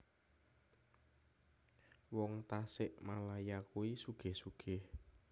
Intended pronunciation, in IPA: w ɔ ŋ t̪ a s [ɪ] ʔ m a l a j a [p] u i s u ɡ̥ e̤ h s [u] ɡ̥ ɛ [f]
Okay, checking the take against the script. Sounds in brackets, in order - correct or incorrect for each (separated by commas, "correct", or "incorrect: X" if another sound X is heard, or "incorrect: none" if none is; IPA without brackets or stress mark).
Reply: correct, incorrect: k, correct, incorrect: h